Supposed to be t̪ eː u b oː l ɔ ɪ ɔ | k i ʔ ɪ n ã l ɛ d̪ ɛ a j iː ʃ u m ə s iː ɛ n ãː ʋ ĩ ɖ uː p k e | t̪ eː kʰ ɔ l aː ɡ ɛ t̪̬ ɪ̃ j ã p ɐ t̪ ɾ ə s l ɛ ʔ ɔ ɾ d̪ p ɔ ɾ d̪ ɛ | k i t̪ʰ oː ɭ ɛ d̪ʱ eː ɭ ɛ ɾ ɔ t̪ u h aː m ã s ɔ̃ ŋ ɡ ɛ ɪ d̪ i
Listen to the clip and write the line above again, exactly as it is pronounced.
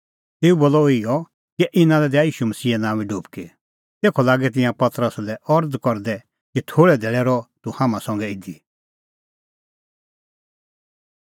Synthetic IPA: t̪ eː u b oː l ɔ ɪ ɔ | k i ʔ ɪ n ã l ɛ d̪ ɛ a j iː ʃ u m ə s iː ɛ n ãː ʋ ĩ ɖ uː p k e | t̪ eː kʰ ɔ l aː ɡ ɛ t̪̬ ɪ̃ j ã p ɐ t̪ ɾ ə s l ɛ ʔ ɔ ɾ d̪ k ɔ ɾ d̪ ɛ | k i t̪ʰ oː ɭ ɛ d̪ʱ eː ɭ ɛ ɾ ɔ t̪ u h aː m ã s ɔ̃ ŋ ɡ ɛ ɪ d̪ i